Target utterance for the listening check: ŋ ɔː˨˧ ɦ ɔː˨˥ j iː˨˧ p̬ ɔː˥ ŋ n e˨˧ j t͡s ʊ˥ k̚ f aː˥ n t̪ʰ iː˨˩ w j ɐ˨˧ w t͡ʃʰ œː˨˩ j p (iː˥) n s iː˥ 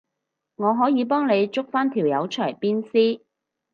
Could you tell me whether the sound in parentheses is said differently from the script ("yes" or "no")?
no